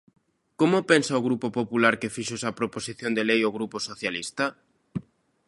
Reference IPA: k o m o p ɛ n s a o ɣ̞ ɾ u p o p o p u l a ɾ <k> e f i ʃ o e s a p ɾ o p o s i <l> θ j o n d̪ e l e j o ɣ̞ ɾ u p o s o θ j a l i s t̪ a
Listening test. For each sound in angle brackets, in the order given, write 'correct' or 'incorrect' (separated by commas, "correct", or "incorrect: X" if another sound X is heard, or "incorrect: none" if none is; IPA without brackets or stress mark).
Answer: correct, incorrect: none